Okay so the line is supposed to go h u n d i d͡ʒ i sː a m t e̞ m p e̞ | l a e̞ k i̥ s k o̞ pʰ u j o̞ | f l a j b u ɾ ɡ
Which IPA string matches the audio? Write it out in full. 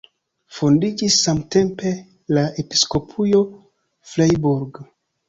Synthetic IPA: f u n d i d͡ʒ i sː a m t e̞ m p e̞ | l a e̞ p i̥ s k o̞ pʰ u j o̞ | f l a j b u ɾ ɡ

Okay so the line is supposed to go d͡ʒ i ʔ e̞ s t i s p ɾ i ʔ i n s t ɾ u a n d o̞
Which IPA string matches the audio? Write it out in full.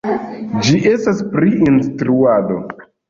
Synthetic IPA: d͡ʒ i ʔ e̞ s t a s p ɾ i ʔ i n s t ɾ u a d o̞

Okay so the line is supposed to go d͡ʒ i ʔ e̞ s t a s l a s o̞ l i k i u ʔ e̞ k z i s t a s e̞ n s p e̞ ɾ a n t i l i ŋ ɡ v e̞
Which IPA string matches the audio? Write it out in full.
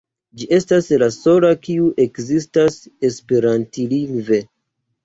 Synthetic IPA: d͡ʒ i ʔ e̞ s t a s l a s o̞ l a k i u ʔ e̞ k z i s t a s e̞ s p e̞ ɾ a n t i l i ŋ ɡ v e̞

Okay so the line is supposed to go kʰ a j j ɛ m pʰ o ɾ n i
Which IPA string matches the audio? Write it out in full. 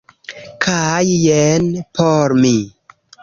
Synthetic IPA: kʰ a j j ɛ n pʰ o ɾ m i

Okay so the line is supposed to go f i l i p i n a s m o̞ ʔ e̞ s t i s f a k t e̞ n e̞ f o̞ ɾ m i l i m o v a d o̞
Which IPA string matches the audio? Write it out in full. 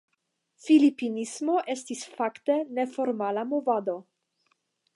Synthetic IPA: f i l i p i n i s m o̞ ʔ e̞ s t i s f a k t e̞ n e̞ f o̞ ɾ m a l a m o v a d o̞

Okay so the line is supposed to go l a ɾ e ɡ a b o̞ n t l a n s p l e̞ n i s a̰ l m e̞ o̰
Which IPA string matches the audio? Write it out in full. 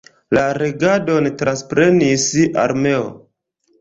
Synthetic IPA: l a ɾ e ɡ a d o̞ n t ɾ a n s p ɾ e̞ n i s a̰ ɾ m e̞ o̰

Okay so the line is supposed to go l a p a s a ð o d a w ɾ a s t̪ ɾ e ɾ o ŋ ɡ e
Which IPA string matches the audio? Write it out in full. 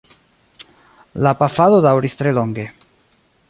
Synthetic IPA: l a p a f a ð o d a w ɾ i s t̪ ɾ e l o ŋ ɡ e

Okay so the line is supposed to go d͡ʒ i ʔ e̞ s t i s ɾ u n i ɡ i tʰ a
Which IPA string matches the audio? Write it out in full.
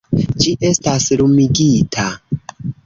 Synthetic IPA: d͡ʒ i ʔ e̞ s t a s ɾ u m i ɡ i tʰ a

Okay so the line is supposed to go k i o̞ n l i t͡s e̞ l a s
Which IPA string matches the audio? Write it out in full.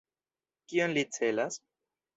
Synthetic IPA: k i o̞ n l i t͡s e̞ l a s

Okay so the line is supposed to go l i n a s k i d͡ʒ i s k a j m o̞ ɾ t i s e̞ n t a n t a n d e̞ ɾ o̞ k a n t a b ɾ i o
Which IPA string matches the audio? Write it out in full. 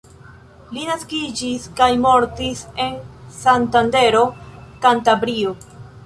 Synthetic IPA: l i n a s k i d͡ʒ i s k a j m o̞ ɾ t i s e̞ n s a n t a n d e̞ ɾ o̞ k a n t a b ɾ i o

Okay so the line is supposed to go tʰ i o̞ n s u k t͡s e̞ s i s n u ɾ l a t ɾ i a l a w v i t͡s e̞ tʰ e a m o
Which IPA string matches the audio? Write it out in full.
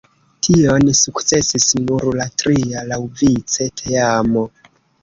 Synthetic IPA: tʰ i o̞ n s u k t͡s e̞ s i s n u ɾ l a t ɾ i a l a w v i t͡s e̞ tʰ e a m o

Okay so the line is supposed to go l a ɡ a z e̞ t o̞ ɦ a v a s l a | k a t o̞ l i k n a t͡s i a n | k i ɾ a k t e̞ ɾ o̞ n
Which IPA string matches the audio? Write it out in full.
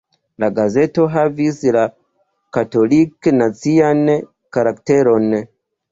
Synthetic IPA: l a ɡ a z e̞ t o̞ ɦ a v i s l a | k a t o̞ l i k n a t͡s i a n | k a ɾ a k t e̞ ɾ o̞ n

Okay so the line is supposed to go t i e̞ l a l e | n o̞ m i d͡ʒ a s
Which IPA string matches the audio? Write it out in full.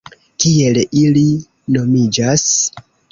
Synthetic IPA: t i e̞ l i l i | n o̞ m i d͡ʒ a s

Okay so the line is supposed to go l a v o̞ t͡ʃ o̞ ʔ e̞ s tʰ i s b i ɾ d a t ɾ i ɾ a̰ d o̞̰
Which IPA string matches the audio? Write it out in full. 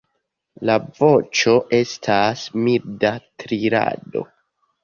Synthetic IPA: l a v o̞ t͡ʃ o̞ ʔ e̞ s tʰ a s m i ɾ d a t ɾ i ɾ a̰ d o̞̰

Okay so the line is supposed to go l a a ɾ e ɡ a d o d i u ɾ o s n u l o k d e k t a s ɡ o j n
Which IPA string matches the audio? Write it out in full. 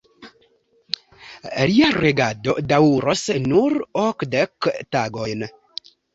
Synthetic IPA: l i a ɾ e ɡ a d o d a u ɾ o s n u ɾ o k d e k t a ɡ o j n

